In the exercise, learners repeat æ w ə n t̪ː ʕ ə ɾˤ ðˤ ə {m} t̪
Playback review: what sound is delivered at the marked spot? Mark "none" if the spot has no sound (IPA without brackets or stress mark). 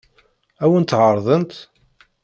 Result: n